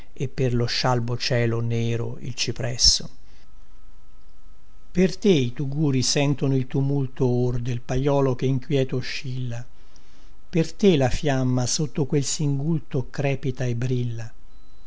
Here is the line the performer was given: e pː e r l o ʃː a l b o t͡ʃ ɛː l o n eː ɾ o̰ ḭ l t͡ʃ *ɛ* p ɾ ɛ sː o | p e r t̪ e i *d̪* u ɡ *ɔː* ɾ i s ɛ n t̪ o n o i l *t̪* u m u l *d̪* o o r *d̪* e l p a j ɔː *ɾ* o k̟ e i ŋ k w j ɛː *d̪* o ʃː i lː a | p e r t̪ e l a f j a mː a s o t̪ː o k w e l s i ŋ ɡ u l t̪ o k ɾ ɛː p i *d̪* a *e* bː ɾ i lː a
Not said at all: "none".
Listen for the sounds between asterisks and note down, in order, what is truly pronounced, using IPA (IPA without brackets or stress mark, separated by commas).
i, t̪, uː, t̪, t̪, d̪, l, t̪, t̪, e